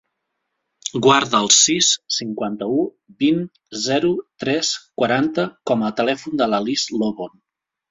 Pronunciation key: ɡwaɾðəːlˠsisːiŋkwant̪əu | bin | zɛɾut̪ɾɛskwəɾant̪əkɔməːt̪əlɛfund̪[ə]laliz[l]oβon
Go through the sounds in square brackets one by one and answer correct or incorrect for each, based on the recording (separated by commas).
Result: correct, correct